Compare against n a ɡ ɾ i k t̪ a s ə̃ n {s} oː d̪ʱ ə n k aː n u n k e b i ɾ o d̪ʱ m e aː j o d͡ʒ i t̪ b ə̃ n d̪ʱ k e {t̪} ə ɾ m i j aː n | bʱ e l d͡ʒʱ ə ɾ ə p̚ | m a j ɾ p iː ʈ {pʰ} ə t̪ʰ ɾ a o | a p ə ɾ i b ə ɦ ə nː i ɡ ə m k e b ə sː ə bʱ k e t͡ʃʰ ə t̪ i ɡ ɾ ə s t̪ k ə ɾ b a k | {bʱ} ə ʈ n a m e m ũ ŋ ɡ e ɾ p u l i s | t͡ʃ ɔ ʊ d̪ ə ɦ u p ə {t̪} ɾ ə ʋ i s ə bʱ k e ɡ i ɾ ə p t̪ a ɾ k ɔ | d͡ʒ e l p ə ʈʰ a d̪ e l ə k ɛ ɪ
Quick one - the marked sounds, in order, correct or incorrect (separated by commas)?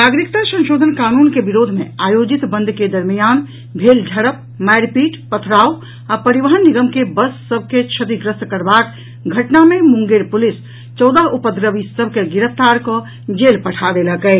incorrect, incorrect, incorrect, incorrect, incorrect